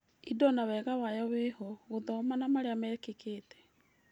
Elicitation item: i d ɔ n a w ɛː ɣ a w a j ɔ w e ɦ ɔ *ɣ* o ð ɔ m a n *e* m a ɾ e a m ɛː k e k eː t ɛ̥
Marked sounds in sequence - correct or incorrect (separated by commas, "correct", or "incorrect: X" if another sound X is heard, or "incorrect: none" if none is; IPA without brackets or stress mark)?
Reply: correct, incorrect: a